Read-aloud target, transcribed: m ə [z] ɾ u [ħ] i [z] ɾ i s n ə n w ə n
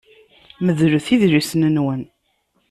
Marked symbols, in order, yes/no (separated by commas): no, no, no